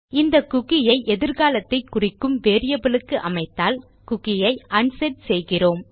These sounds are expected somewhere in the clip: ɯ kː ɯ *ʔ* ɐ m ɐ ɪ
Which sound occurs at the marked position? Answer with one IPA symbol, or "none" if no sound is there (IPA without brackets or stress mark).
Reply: ʔ